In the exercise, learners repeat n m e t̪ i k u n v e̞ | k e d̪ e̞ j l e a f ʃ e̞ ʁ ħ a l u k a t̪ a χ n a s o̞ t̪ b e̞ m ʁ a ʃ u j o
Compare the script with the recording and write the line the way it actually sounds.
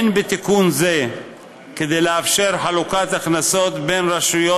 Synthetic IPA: n b e t̪ i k u n z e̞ | k e d̪ e̞ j l e a f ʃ e̞ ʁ ħ a l u k a t̪ a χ n a s o̞ t̪ b e̞ n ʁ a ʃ u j o